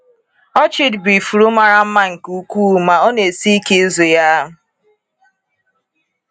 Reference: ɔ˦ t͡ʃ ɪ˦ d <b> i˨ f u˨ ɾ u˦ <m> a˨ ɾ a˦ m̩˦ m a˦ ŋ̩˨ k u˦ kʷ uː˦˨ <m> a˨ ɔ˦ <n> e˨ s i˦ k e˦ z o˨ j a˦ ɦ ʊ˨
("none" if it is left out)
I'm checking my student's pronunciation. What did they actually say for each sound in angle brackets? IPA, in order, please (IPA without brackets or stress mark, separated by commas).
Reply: b, m, m, n